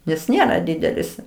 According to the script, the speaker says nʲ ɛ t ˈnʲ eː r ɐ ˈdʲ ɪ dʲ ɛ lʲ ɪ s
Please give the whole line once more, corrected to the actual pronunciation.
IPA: nʲ ɛ s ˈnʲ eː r ɐ ˈdʲ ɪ dʲ ɛ lʲ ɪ s